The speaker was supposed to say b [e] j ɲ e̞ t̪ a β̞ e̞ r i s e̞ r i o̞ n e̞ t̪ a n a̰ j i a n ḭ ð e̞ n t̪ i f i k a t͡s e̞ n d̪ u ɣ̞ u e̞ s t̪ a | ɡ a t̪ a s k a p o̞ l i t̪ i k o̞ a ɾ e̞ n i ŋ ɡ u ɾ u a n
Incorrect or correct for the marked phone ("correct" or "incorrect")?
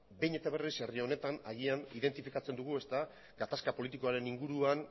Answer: correct